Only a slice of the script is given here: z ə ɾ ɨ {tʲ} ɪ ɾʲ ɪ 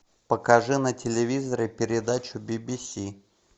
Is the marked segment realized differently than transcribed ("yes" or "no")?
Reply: yes